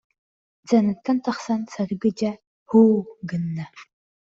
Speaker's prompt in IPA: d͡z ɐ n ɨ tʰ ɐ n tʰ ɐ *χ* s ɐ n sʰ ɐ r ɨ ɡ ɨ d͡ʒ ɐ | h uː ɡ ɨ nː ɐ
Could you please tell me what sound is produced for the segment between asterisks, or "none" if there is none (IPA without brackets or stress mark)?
χ